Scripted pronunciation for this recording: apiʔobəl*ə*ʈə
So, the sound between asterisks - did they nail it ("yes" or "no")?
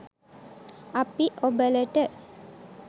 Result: yes